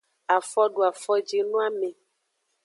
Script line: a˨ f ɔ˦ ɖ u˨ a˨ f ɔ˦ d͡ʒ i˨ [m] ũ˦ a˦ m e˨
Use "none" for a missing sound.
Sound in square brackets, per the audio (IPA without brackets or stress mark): n